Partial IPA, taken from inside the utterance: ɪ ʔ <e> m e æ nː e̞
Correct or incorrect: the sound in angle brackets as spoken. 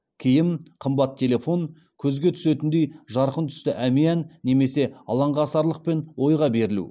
incorrect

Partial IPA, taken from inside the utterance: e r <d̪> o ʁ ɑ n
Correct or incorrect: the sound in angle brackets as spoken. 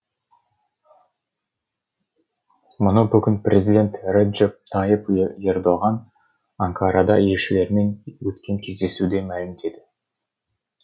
correct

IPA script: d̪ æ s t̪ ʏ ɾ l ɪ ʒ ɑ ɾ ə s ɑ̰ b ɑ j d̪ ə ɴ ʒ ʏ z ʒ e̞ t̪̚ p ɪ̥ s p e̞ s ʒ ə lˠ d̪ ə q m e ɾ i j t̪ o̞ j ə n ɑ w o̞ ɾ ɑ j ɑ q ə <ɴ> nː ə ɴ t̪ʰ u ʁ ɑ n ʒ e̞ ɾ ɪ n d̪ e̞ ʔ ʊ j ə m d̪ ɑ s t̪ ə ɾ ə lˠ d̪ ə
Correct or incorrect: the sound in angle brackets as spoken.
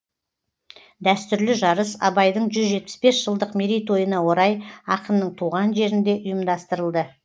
incorrect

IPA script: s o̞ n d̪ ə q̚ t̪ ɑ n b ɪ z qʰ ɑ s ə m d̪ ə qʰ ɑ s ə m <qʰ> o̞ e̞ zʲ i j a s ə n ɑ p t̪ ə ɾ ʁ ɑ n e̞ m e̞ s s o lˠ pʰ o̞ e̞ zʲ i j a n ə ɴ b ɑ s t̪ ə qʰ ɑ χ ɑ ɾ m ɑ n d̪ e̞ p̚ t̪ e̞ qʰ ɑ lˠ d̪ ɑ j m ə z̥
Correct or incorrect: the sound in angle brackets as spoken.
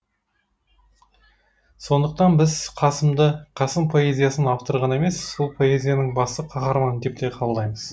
incorrect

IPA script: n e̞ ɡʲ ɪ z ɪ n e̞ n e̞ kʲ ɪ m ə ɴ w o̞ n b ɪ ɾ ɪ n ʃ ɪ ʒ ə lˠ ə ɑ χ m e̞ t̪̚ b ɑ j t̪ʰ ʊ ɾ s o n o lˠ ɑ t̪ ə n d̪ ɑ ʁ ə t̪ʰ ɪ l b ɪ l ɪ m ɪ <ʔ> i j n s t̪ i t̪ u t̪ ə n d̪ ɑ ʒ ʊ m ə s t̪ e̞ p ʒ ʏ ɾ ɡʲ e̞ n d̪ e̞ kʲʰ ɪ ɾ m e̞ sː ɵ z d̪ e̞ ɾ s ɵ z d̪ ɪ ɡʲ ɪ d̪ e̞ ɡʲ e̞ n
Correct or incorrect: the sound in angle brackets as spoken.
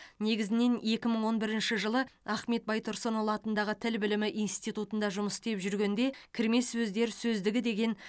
correct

